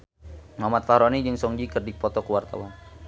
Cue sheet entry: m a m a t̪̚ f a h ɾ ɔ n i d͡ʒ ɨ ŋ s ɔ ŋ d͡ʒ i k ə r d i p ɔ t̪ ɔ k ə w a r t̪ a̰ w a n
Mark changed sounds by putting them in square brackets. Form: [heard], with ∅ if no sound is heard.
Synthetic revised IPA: m a m a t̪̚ f a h ɾ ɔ n i d͡ʒ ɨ ŋ s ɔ ŋ d͡ʒ i k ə r d i p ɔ t̪ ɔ k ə w a r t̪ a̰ w a n